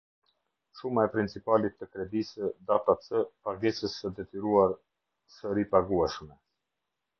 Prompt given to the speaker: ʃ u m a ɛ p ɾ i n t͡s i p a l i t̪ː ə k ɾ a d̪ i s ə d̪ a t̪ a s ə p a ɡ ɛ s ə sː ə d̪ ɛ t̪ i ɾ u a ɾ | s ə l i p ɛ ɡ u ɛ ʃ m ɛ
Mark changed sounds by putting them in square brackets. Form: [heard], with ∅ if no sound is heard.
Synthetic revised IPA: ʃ u m a ɛ p ɾ i n t͡s i p a l i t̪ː ə k ɾ [ɛ] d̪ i s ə d̪ a t̪ a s ə p a ɡ ɛ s ə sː ə d̪ ɛ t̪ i ɾ u a ɾ | s ə [ɾ] i p [a] ɡ u ɛ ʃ m ɛ